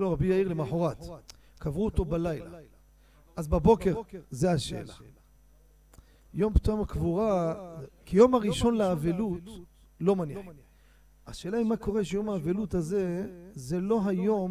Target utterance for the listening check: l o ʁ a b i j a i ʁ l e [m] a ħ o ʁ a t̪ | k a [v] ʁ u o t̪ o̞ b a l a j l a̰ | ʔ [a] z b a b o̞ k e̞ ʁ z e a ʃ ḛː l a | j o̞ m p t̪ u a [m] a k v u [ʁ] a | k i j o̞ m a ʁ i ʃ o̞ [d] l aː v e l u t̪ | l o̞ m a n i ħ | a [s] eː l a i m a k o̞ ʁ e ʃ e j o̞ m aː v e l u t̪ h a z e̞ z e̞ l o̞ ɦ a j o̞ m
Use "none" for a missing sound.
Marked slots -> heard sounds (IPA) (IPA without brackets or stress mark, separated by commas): m, v, a, m, ʁ, n, ʃ